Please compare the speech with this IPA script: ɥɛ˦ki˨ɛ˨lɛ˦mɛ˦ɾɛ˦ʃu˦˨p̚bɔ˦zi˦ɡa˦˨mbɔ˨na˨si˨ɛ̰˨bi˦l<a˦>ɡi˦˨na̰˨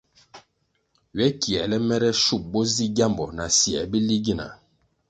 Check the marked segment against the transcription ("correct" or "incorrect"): incorrect